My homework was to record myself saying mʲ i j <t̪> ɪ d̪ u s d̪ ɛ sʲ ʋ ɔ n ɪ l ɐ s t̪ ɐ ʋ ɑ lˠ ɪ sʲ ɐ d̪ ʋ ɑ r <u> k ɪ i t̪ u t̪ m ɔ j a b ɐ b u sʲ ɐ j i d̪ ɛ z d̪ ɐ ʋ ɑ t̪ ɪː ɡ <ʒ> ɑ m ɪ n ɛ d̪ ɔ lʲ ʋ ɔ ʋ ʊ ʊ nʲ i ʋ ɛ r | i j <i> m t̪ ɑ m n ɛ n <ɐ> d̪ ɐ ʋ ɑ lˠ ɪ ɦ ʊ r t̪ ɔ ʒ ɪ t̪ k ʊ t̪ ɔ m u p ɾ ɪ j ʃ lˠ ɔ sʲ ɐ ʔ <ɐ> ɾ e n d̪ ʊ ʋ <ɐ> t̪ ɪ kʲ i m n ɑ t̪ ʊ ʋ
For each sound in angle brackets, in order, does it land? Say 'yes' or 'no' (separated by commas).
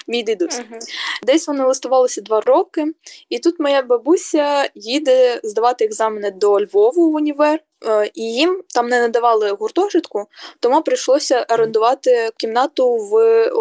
no, no, no, yes, yes, yes, no